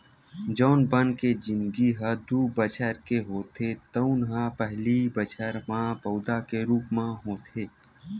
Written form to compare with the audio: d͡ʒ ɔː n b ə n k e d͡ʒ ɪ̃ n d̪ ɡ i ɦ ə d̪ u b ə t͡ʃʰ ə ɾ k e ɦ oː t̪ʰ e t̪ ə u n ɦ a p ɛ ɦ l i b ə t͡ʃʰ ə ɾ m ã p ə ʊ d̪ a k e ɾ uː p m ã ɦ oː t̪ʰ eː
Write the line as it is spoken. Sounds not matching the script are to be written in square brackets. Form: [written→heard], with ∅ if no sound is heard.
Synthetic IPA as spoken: d͡ʒ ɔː n b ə n k e d͡ʒ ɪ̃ n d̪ ɡ i ɦ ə d̪ u b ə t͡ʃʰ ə ɾ k e ɦ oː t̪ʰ e t̪ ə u n ɦ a p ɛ ɦ l i b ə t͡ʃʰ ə ɾ m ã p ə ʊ d̪ a k e ɾ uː p m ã ɦ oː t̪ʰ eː